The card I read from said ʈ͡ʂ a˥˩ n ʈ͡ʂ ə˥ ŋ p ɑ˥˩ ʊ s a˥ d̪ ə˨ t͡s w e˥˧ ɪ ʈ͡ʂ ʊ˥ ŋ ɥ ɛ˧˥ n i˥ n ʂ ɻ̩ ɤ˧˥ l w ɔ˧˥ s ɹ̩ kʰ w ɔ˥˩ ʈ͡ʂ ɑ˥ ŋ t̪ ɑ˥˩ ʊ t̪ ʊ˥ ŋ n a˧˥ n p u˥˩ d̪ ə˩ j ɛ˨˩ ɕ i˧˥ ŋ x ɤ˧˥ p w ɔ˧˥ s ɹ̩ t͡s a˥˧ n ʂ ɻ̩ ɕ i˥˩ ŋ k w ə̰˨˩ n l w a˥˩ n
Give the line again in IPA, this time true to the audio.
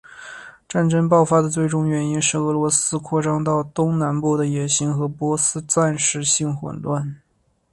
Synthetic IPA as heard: ʈ͡ʂ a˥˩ n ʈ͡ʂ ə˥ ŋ p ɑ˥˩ ʊ f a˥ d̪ ə˨ t͡s w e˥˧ ɪ ʈ͡ʂ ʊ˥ ŋ ɥ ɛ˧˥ n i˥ n ʂ ɻ̩ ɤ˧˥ l w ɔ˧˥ s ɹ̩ kʰ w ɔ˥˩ ʈ͡ʂ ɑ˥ ŋ t̪ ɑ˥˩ ʊ t̪ ʊ˥ ŋ n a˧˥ n p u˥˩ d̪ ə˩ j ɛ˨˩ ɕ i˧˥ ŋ x ɤ˧˥ p w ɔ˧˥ s ɹ̩ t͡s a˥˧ n ʂ ɻ̩ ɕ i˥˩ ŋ x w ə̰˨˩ n l w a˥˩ n